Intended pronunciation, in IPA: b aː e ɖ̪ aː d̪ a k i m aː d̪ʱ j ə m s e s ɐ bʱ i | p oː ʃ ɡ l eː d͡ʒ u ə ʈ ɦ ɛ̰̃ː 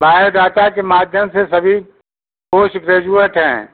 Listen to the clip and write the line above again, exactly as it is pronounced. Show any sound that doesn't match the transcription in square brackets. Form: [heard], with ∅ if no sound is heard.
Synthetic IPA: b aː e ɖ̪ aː [t̪] a k [e] m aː d̪ʱ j ə m s e s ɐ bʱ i | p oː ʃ ɡ [ɾ] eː d͡ʒ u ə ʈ ɦ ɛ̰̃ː